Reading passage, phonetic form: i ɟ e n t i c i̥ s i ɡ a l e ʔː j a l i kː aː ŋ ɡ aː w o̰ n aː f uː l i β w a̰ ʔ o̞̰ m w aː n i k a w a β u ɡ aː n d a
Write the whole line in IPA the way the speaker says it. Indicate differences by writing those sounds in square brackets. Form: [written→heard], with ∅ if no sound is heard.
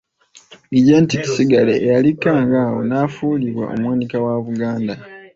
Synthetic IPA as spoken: i ɟ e n t i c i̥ s i ɡ a l e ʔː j a l i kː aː ŋ ɡ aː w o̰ n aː f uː l i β w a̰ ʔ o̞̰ m w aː n i k a w a β u ɡ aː n d a